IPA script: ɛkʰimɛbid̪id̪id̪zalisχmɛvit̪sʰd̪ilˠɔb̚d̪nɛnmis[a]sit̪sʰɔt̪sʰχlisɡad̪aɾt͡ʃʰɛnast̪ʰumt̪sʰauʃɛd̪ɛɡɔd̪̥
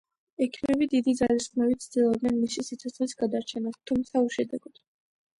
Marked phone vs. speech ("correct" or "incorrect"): incorrect